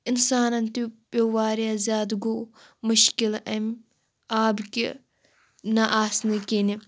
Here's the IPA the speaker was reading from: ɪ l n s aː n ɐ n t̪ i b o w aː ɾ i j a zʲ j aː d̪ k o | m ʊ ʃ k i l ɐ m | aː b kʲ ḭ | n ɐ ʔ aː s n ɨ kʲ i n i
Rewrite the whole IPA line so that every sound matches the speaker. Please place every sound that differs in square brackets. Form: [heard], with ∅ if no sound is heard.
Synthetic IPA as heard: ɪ [∅] n s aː n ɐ n t̪ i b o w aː ɾ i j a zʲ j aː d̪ [ɡ] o | m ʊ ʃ k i l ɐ m | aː b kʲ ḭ | n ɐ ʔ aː s n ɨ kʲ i n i